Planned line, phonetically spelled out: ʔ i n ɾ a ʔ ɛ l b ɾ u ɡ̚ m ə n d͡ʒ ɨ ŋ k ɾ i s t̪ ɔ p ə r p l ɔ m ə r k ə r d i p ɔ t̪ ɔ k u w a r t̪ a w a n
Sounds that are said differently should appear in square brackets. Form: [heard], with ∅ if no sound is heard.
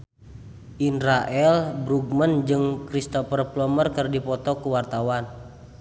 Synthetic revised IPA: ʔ i n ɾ a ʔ ɛ l b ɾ u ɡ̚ m ə n d͡ʒ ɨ ŋ k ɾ i s t̪ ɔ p ə r p l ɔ m ə r k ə r d i p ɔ t̪ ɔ k u w a r t̪ a w a n